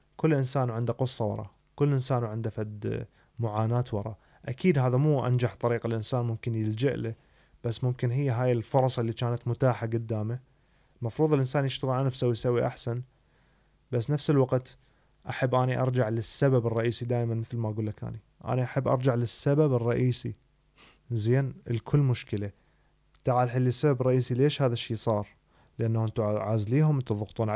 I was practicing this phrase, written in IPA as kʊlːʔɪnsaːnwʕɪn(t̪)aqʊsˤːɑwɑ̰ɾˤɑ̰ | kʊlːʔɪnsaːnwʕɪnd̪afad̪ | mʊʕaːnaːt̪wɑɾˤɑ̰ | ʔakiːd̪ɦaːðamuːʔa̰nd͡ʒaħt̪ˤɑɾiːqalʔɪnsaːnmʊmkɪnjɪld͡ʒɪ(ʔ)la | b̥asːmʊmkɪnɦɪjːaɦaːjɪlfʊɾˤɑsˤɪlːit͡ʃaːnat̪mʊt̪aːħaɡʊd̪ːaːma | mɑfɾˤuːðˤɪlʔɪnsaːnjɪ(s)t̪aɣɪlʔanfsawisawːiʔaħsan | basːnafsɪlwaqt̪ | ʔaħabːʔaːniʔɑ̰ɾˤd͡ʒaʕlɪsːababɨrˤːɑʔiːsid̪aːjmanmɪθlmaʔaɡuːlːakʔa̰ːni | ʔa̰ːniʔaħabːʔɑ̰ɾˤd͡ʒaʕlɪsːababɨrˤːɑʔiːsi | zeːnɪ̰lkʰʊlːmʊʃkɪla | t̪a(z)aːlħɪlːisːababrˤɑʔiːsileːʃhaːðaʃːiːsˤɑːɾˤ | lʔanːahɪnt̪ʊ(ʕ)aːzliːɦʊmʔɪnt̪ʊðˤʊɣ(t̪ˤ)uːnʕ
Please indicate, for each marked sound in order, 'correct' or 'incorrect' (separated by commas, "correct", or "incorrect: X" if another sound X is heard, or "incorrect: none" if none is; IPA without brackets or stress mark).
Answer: incorrect: d̪, correct, incorrect: ʃ, incorrect: ʕ, correct, correct